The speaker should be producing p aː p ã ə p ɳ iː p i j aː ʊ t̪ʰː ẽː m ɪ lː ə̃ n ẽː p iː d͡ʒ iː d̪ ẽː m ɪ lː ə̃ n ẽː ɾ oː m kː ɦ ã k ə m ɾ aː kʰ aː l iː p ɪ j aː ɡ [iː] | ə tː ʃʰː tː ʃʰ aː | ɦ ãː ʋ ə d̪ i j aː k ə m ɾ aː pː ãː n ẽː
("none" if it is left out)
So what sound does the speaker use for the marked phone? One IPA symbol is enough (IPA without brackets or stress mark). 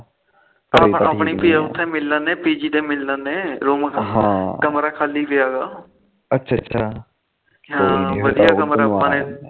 aː